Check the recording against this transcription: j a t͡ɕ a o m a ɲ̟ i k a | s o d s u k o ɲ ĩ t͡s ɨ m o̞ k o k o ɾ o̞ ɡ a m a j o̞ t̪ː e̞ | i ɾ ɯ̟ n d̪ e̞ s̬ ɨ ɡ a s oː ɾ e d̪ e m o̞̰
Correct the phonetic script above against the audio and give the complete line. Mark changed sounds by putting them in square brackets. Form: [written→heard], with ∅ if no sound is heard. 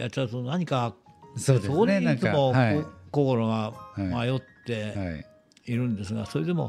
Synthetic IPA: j a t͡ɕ a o [m→n] a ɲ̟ i k a | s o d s [u→o] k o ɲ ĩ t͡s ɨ m o̞ k o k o ɾ o̞ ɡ a m a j o̞ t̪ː e̞ | i ɾ [ɯ̟→ɯ̟̃] n d̪ e̞ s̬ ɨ ɡ a s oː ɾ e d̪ e m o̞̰